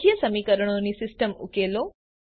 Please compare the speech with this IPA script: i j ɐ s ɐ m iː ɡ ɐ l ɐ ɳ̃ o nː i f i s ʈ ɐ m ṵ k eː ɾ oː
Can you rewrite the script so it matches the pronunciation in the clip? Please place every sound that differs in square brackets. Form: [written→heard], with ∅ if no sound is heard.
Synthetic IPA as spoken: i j ɐ s ɐ m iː [ɡ→k] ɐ [l→ɾ] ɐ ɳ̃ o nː i [f→s] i s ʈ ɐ m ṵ k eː [ɾ→l] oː